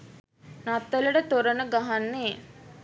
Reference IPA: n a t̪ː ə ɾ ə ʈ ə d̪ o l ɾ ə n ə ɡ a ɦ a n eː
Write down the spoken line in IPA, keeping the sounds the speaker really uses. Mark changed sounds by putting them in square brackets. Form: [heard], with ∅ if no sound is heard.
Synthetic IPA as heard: n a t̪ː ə [l] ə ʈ ə [t̪] o [∅] ɾ ə n ə ɡ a ɦ a [nː] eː